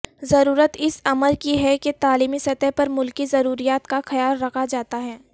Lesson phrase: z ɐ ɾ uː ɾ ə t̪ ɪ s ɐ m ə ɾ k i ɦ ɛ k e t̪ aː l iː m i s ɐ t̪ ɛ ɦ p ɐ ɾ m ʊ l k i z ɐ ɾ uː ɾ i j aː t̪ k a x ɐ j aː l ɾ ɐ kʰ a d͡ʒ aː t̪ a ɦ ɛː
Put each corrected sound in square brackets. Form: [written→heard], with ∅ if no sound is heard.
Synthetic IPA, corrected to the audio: z ɐ ɾ uː ɾ ə t̪ ɪ s ɐ m ə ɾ k i ɦ ɛ k e t̪ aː l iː m i s ɐ t̪ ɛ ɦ p ɐ ɾ m ʊ l k i z ɐ ɾ uː ɾ i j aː t̪ k a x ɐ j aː l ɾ ɐ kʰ a d͡ʒ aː t̪ a ɦ ɛː

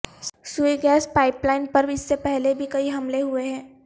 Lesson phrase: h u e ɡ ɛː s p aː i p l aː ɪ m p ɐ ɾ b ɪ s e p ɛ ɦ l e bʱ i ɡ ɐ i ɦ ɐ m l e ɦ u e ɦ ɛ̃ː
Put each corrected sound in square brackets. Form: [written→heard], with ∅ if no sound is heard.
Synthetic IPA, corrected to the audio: [h→s] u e ɡ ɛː s p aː [i→ɪ] p l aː ɪ [m→n] p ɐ ɾ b ɪ [s→sː] e p ɛ ɦ l e bʱ i [ɡ→k] ɐ i ɦ ɐ m l e ɦ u e ɦ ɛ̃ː

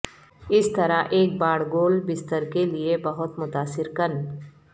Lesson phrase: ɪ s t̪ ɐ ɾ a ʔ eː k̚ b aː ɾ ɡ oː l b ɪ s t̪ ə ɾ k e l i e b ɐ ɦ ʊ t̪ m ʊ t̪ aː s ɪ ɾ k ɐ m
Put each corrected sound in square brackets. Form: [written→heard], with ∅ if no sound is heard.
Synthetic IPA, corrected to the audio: ɪ s t̪ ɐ ɾ a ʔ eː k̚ b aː [ɾ→ɽ] ɡ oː l b ɪ s t̪ ə ɾ k e l i e b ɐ ɦ ʊ t̪ m ʊ t̪ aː s ɪ ɾ k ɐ [m→n]

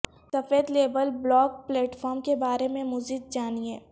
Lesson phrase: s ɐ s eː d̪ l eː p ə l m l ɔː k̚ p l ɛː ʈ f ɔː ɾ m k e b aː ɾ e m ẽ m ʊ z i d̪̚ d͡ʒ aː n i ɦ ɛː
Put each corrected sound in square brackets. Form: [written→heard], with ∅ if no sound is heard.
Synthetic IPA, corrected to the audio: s ɐ [s→f] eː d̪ l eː [p→b] ə l [m→b] l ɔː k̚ p l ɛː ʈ f ɔː ɾ m k e b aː ɾ e m ẽ m ʊ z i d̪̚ d͡ʒ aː n i ɦ ɛː

